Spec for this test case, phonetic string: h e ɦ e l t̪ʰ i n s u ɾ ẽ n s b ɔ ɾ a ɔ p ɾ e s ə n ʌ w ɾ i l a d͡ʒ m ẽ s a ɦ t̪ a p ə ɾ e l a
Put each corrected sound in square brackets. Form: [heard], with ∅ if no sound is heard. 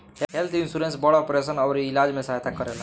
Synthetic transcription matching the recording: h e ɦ e l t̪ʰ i n s u ɾ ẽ n s b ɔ [ɽ] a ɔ p ɾ e s ə n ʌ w ɾ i l a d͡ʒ m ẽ s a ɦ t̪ a [k] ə ɾ e l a